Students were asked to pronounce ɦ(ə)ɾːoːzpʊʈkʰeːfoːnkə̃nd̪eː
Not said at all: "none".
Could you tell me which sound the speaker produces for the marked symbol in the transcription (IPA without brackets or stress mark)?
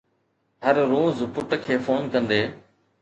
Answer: ə